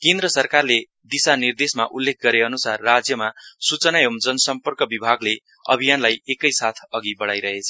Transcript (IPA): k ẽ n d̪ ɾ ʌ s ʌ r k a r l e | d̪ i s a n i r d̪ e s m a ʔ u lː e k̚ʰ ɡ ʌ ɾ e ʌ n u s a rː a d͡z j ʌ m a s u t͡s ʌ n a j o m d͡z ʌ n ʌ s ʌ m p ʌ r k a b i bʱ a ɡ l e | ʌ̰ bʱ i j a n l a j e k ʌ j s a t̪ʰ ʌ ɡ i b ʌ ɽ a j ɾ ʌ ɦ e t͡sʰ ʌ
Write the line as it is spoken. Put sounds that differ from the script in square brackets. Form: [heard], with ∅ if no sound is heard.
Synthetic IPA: k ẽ n d̪ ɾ ʌ s ʌ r k a r l e | d̪ i s a n i r d̪ e s m a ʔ u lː e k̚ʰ ɡ ʌ ɾ e ʌ n u s a rː a d͡z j ʌ m a s u t͡s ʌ n a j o m d͡z ʌ n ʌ s ʌ m p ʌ r k [ʌ] b i bʱ a ɡ l e | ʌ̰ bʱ i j a n l a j e k ʌ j s a t̪ʰ ʌ ɡ i b ʌ ɽ a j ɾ ʌ ɦ e t͡sʰ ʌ